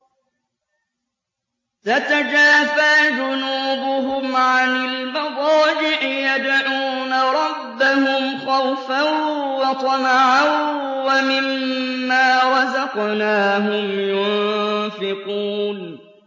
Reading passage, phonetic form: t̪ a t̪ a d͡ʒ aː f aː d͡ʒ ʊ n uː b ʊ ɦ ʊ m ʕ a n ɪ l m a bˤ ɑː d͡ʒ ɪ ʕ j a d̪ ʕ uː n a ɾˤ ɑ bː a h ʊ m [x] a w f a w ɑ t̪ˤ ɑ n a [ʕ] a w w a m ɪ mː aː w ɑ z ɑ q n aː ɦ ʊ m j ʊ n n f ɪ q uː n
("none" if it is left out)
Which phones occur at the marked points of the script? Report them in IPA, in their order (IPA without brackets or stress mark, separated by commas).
x, ʕ